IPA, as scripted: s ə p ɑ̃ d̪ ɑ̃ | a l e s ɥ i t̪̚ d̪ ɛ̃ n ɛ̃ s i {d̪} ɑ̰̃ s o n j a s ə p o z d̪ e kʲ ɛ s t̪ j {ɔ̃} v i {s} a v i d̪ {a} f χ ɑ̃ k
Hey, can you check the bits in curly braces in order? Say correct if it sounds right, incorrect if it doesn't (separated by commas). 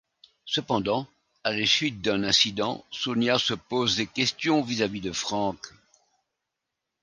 correct, correct, incorrect, incorrect